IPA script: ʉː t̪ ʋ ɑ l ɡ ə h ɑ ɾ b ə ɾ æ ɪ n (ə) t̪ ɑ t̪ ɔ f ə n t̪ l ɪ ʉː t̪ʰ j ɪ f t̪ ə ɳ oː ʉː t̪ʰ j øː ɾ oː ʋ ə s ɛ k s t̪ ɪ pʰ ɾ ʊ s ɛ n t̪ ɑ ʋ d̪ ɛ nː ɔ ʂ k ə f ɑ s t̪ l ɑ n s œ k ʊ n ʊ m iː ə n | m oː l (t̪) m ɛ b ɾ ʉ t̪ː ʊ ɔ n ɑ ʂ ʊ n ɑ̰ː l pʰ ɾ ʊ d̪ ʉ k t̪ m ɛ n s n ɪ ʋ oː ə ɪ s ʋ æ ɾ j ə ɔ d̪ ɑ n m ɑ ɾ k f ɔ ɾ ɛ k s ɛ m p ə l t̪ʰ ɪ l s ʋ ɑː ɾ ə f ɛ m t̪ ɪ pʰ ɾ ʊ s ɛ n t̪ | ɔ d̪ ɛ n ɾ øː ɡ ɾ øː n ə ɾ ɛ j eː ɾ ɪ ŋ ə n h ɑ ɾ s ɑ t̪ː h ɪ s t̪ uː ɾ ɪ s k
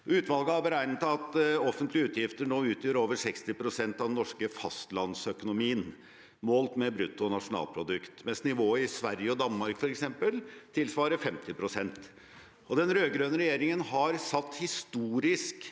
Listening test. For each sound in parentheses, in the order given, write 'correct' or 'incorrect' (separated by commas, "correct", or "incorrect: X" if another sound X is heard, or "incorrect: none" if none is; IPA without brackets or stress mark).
correct, correct